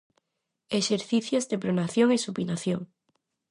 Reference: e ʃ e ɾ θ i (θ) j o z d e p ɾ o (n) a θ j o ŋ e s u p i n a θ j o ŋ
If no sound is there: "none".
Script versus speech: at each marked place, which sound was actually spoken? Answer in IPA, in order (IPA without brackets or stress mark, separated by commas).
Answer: θ, n